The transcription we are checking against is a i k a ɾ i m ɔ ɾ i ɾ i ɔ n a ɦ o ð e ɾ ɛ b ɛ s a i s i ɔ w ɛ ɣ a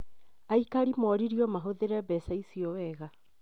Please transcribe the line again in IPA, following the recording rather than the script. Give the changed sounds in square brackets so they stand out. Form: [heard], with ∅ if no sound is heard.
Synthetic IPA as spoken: a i k a ɾ i m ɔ ɾ i ɾ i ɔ [m] a ɦ o ð e ɾ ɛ b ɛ s a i s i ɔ w ɛ ɣ a

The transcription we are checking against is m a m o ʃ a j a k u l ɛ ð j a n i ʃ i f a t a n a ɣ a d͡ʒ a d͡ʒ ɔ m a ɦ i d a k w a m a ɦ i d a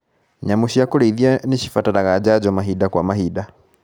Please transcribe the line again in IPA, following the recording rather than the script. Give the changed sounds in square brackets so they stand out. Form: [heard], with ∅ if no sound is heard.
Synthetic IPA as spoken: [ɲ] a m [u] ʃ [i] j a k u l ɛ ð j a n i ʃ i f a t a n a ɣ a d͡ʒ a d͡ʒ ɔ m a ɦ i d a k w a m a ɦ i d a

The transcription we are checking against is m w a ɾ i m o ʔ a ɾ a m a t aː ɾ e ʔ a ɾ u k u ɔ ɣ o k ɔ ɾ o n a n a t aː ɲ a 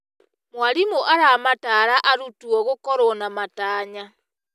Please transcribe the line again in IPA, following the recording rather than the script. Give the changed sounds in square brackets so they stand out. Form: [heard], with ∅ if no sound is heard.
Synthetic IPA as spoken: m w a ɾ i m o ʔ a ɾ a m a t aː ɾ [a] ʔ a ɾ u [t] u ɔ ɣ o k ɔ ɾ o n a [m] a t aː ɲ a

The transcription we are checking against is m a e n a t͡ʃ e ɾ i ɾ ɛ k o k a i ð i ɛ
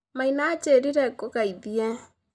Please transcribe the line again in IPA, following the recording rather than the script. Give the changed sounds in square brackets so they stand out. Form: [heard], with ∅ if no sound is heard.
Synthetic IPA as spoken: m a [i] n a t͡ʃ e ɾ i ɾ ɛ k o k a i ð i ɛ

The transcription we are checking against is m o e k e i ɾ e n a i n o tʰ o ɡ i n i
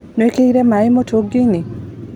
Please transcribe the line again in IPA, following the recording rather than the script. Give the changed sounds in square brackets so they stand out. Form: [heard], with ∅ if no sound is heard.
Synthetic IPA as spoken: [n] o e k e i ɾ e [m] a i [m] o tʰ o ɡ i n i

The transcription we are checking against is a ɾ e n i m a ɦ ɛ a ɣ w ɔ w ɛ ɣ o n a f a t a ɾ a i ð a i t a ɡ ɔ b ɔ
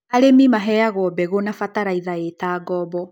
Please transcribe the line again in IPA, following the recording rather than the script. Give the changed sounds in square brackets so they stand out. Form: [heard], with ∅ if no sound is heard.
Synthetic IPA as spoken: a ɾ e [m] i m a ɦ ɛ a ɣ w ɔ [b] ɛ ɣ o n a f a t a ɾ a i ð a [e] t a ɡ ɔ b ɔ

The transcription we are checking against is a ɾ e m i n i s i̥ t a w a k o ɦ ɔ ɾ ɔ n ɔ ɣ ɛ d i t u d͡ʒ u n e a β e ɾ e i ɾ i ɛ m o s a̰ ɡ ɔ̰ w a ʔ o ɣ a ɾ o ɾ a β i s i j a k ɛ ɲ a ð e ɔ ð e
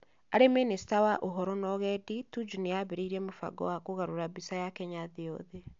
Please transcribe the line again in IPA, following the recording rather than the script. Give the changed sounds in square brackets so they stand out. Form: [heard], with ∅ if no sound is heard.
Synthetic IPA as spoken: a ɾ e m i n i s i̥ t a w a [ʔ] o ɦ ɔ ɾ ɔ n ɔ ɣ ɛ d i t u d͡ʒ u n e a β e ɾ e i ɾ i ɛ m o [f] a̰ ɡ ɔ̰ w a [k] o ɣ a ɾ o ɾ a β i s [a] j a k ɛ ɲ a ð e ɔ ð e

